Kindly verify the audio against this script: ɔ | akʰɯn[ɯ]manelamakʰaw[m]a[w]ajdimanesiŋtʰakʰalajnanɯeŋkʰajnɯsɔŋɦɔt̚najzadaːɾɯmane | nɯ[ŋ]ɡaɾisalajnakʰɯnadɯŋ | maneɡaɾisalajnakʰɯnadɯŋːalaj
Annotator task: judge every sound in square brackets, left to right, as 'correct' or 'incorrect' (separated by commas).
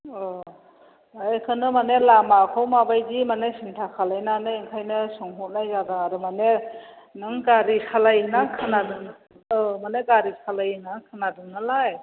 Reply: correct, correct, incorrect, correct